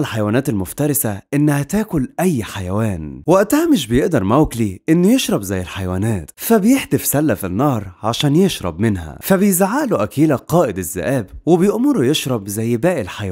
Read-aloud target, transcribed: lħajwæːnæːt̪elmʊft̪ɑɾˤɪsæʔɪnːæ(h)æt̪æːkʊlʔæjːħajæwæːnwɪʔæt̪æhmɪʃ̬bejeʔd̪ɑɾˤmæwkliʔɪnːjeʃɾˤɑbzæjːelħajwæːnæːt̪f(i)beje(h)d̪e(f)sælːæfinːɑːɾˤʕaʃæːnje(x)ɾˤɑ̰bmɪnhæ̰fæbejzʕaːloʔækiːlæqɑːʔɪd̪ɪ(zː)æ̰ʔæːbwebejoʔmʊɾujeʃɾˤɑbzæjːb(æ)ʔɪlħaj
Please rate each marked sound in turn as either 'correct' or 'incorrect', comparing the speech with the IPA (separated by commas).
correct, incorrect, incorrect, correct, incorrect, correct, incorrect